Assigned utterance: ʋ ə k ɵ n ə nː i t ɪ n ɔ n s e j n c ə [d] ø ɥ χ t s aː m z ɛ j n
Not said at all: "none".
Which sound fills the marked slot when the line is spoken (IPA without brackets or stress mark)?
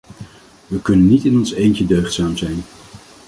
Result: d